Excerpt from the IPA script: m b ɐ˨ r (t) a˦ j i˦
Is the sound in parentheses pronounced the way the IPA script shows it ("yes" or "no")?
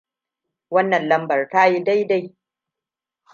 yes